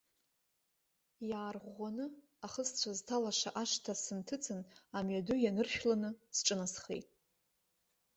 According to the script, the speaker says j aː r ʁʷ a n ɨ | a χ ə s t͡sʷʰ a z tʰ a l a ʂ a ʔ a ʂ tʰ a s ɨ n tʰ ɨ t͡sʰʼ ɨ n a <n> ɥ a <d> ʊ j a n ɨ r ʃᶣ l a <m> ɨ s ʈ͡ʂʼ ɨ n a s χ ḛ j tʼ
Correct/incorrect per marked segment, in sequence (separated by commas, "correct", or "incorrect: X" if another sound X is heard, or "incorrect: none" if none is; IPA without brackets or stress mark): incorrect: m, correct, incorrect: n